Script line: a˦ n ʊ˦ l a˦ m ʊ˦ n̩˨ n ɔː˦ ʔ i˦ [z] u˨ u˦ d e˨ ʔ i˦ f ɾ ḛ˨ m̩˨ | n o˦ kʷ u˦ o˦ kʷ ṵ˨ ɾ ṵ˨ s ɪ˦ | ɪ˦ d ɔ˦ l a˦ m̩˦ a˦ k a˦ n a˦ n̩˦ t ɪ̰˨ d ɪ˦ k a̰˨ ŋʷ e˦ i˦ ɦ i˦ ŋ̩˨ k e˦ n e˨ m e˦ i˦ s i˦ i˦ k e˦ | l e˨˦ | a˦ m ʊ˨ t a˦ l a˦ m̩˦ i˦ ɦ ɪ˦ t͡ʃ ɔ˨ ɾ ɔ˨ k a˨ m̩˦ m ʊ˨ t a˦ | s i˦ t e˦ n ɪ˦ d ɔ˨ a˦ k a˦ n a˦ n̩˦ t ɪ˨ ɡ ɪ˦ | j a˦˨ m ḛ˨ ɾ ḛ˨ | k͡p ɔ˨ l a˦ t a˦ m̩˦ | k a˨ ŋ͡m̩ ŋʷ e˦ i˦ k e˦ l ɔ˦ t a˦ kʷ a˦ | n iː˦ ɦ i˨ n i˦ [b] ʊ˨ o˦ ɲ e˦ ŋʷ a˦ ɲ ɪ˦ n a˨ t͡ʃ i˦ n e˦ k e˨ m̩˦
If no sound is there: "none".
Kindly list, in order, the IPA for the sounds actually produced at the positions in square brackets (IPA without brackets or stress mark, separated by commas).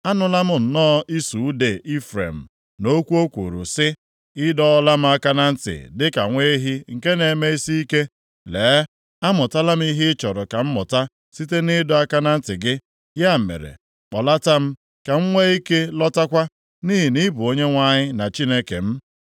s, b